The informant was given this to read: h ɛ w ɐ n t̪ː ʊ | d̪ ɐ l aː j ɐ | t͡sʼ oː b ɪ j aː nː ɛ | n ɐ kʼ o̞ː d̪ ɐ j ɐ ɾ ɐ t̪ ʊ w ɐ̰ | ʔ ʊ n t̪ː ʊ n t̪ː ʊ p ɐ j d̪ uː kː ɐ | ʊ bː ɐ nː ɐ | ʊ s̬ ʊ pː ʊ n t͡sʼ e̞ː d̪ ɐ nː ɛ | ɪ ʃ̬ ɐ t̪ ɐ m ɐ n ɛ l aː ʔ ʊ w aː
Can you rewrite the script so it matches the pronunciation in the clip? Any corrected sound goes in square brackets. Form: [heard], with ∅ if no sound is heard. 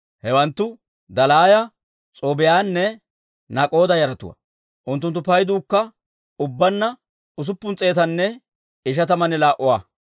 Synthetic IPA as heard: h ɛ w ɐ n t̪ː ʊ | d̪ ɐ l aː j ɐ | t͡sʼ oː b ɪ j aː nː ɛ | n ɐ kʼ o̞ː d̪ ɐ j ɐ ɾ ɐ t̪ ʊ w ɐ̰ | ʔ ʊ n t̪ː ʊ n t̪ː ʊ p ɐ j d̪ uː kː ɐ | ʊ bː ɐ nː ɐ | ʊ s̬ ʊ pː ʊ n t͡sʼ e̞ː [t̪] ɐ nː ɛ | ɪ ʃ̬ ɐ t̪ ɐ m ɐ n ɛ l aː ʔ ʊ w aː